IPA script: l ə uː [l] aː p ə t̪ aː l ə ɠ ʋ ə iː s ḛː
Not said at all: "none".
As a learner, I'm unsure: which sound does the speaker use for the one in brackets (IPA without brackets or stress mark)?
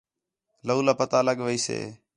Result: l